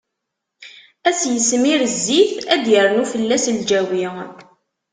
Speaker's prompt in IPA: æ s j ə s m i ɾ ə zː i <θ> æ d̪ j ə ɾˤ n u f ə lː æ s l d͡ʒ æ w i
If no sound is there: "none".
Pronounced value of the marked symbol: θ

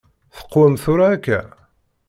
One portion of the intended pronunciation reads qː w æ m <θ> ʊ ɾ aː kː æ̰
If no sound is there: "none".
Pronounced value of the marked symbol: θ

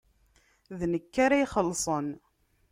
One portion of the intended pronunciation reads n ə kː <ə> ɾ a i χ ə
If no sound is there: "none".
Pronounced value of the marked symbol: a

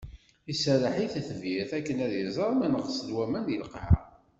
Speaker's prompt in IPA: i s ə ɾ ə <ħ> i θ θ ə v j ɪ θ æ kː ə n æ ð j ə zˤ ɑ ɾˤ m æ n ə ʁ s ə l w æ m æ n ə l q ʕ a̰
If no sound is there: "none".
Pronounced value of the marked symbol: ħ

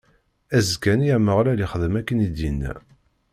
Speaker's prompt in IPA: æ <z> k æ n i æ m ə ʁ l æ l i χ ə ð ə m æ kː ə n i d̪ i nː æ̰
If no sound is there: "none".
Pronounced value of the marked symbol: z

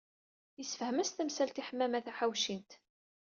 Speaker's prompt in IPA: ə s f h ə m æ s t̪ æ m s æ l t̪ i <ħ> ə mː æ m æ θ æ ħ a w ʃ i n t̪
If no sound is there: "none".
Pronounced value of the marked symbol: ħ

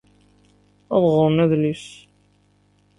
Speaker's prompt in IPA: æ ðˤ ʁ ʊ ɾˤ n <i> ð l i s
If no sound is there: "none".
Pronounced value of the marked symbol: æ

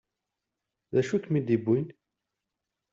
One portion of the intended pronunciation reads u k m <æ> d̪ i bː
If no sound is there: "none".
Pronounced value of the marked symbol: i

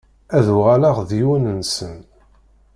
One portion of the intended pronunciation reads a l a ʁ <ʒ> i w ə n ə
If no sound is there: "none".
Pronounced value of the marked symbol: ð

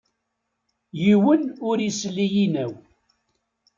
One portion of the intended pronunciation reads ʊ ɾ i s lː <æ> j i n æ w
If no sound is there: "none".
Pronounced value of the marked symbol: i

